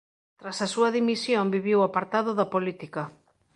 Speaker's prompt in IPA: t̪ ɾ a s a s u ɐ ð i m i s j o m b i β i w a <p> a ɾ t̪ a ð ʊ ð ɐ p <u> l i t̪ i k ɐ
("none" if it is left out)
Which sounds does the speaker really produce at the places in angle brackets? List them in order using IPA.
p, o

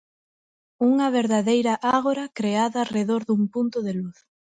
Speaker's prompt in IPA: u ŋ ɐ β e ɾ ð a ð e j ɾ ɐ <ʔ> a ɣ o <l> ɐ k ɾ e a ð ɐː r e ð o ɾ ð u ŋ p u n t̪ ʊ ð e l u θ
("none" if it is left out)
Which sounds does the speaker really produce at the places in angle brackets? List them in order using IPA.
ʔ, ɾ

